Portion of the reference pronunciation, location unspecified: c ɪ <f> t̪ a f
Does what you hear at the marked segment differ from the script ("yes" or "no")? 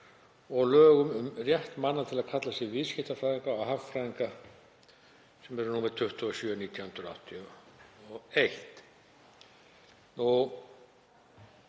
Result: yes